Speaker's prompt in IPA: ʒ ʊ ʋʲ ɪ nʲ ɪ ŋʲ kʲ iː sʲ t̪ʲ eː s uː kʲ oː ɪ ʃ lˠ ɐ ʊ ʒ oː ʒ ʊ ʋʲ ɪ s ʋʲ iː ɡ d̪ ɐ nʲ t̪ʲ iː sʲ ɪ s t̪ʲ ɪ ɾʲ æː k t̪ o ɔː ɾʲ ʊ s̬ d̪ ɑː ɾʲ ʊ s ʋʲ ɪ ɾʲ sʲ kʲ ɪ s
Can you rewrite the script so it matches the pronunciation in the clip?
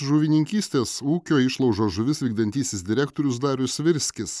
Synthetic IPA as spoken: ʒ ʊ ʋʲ ɪ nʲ ɪ ŋʲ kʲ iː sʲ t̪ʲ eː s uː kʲ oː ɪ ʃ lˠ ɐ ʊ ʒ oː ʒ ʊ ʋʲ ɪ s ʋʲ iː ɡ d̪ ɐ nʲ t̪ʲ iː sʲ ɪ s d̪ʲ ɪ ɾʲ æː k t̪ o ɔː ɾʲ ʊ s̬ d̪ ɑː ɾʲ ʊ s ʋʲ ɪ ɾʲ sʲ kʲ ɪ s

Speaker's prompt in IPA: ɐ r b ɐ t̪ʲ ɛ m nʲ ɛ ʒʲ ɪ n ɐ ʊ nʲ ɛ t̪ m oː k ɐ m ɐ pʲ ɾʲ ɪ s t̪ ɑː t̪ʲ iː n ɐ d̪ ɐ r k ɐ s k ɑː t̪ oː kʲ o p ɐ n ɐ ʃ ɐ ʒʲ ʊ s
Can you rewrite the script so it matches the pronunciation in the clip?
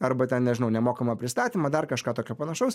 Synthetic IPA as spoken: ɐ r b ɐ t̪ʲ ɛ n nʲ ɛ ʒʲ ɪ n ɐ ʊ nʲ ɛ m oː k ɐ m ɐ pʲ ɾʲ ɪ s t̪ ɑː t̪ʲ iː m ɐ d̪ ɐ r k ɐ ʃ k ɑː t̪ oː kʲ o p ɐ n ɐ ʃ ɐ ʊ s

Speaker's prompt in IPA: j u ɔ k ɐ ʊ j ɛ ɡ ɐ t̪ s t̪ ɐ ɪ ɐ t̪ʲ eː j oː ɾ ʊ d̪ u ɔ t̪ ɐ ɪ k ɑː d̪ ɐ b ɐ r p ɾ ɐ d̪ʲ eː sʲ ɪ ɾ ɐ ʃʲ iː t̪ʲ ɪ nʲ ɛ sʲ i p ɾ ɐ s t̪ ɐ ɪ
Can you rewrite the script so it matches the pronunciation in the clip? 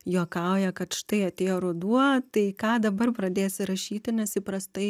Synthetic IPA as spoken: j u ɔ k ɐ ʊ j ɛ k ɐ t̪ ʃ t̪ ɐ ɪ ɐ t̪ʲ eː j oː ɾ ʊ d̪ u ɔ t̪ ɐ ɪ k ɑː d̪ ɐ b ɐ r p ɾ ɐ d̪ʲ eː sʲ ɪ ɾ ɐ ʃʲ iː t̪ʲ ɪ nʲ ɛ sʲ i p ɾ ɐ s t̪ ɐ ɪ

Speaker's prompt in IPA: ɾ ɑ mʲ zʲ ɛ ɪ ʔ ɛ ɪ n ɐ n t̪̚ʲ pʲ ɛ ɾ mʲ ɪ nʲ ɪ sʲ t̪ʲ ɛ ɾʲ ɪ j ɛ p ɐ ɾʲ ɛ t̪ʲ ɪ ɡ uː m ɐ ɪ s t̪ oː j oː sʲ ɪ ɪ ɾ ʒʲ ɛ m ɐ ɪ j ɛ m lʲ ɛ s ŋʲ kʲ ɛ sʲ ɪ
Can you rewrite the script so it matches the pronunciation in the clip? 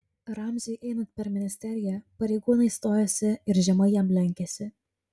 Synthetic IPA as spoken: ɾ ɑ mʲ zʲ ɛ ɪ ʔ ɛ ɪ n ɐ n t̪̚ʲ pʲ ɛ ɾ mʲ ɪ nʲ ɪ sʲ t̪ʲ ɛ ɾʲ ɪ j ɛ p ɐ ɾʲ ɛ ɪ ɡ uː n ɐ ɪ s t̪ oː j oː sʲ ɪ ɪ ɾ ʒʲ ɛ m ɐ ɪ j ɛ m lʲ ɛ ŋʲ kʲ ɛ sʲ ɪ

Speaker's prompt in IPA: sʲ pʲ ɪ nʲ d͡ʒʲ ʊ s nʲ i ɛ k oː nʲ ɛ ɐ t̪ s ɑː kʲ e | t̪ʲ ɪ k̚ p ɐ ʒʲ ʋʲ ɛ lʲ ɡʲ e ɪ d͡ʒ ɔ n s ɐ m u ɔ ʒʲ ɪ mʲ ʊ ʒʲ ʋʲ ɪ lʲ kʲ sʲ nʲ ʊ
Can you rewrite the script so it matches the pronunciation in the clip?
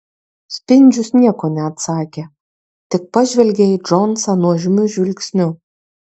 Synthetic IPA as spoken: sʲ pʲ ɪ nʲ d͡ʒʲ ʊ s nʲ i ɛ k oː nʲ ɛ ɐ t̪ s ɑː kʲ e | t̪ʲ ɪ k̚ p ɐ ʒʲ ʋʲ ɛ lʲ ɡʲ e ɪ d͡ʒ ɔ n s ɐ n u ɔ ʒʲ ɪ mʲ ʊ ʒʲ ʋʲ ɪ lʲ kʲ sʲ nʲ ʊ

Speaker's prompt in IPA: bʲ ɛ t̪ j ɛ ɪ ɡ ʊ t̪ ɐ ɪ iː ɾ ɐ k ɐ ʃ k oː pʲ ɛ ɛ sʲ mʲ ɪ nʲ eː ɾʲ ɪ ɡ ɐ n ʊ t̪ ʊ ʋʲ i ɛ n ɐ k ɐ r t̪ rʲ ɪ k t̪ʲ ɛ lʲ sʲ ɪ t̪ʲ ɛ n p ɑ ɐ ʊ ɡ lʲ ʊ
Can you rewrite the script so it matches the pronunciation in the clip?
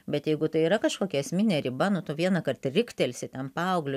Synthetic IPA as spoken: bʲ ɛ t̪ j ɛ ɪ ɡ ʊ t̪ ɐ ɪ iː ɾ ɐ k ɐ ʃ k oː kʲ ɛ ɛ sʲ mʲ ɪ nʲ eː ɾʲ ɪ b ɐ n ʊ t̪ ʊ ʋʲ i ɛ n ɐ k ɐ r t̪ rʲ ɪ k t̪ʲ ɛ lʲ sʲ ɪ t̪ʲ ɛ n p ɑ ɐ ʊ ɡ lʲ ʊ

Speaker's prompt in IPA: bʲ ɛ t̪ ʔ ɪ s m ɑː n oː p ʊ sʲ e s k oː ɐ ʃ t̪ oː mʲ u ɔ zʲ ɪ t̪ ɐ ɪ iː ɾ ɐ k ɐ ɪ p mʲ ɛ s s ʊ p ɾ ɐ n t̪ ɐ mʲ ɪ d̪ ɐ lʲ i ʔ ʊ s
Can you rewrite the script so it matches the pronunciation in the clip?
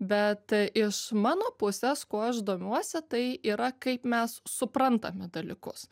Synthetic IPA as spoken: bʲ ɛ t̪ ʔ ɪ ʃ m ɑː n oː p ʊ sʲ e s k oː ɐ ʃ d̪ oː mʲ u ɔ sʲ ɪ t̪ ɐ ɪ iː ɾ ɐ k ɐ ɪ p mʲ ɛ s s ʊ p ɾ ɐ n t̪ ɐ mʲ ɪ d̪ ɐ lʲ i k ʊ s

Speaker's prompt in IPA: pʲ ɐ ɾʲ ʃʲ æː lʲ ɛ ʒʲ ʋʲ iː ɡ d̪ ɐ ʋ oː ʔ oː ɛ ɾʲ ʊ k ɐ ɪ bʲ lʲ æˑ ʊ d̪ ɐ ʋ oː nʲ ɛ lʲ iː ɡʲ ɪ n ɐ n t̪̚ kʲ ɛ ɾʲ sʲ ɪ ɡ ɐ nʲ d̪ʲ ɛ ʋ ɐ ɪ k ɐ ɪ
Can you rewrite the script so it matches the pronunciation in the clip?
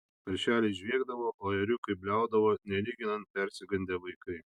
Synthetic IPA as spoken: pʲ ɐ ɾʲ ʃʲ æː lʲ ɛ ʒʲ ʋʲ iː ɡ d̪ ɐ ʋ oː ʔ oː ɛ ɾʲ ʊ k ɐ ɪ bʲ lʲ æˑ ʊ d̪ ɐ ʋ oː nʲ ɛ lʲ iː ɡʲ ɪ n ɐ n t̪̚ pʲ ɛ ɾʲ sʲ ɪ ɡ ɐ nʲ d̪ʲ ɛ ʋ ɐ ɪ k ɐ ɪ

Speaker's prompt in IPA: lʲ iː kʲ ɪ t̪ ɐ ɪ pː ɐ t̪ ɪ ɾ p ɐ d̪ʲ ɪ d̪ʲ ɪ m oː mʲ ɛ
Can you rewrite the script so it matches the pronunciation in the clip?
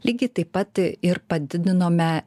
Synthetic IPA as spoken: lʲ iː ɡʲ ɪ t̪ ɐ ɪ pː ɐ t̪ ɪ ɾ p ɐ d̪ʲ ɪ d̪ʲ ɪ n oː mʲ ɛ

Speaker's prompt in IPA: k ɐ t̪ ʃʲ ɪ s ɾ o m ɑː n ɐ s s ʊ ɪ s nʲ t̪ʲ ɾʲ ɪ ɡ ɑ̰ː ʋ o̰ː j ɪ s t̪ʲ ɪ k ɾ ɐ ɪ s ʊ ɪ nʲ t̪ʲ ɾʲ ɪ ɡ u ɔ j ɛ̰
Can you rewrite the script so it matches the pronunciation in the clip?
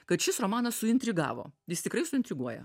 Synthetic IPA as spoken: k ɐ t̪ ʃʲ ɪ s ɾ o m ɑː n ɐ s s ʊ ɪ nʲ t̪ʲ ɾʲ ɪ ɡ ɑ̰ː ʋ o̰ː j ɪ s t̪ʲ ɪ k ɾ ɐ ɪ s ʊ ɪ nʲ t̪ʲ ɾʲ ɪ ɡ u ɔ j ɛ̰

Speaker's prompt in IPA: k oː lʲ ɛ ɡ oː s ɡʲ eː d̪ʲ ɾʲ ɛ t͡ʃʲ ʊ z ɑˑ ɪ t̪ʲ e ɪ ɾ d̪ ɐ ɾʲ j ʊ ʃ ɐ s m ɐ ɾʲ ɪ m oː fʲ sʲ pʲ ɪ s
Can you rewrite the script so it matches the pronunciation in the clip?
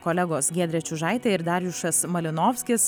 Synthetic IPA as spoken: k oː lʲ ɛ ɡ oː s ɡʲ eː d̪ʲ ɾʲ ɛ t͡ʃʲ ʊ ʒ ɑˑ ɪ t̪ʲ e ɪ ɾ d̪ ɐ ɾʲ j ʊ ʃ ɐ s m ɐ lʲ ɪ n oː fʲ sʲ kʲ ɪ s

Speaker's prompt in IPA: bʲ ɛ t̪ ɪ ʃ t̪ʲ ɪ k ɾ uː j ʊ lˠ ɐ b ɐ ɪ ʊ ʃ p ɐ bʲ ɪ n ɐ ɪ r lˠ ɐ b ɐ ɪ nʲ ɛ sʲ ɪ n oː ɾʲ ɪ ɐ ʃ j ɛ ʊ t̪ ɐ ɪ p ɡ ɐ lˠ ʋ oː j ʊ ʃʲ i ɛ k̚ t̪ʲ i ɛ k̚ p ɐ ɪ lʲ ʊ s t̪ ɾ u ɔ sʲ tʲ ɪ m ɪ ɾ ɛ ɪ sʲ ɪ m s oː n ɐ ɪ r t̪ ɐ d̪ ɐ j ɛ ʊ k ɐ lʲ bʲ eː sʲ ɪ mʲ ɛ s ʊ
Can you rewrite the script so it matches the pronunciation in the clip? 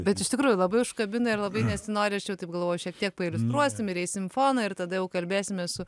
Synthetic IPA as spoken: bʲ ɛ t̪ ɪ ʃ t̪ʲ ɪ k ɾ uː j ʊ lˠ ɐ b ɐ ɪ ʊ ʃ k ɐ bʲ ɪ n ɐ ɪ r lˠ ɐ b ɐ ɪ nʲ ɛ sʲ ɪ n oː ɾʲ ɪ ɐ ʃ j ɛ ʊ t̪ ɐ ɪ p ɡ ɐ lˠ ʋ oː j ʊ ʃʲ i ɛ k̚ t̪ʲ i ɛ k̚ p ɐ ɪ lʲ ʊ s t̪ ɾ u ɔ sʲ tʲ ɪ m ɪ ɾ ɛ ɪ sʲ ɪ m f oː n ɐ ɪ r t̪ ɐ d̪ ɐ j ɛ ʊ k ɐ lʲ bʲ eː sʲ ɪ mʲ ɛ s ʊ

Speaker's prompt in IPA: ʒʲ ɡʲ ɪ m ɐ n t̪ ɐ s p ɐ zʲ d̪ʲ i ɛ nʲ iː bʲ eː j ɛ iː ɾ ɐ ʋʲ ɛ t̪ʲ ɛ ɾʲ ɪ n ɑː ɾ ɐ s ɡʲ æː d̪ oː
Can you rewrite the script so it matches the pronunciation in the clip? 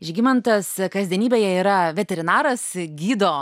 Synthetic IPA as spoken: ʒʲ ɡʲ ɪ m ɐ n t̪ ɐ s k ɐ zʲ d̪ʲ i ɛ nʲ iː bʲ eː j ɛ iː ɾ ɐ ʋʲ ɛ t̪ʲ ɛ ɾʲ ɪ n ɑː ɾ ɐ s ɡʲ iː d̪ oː

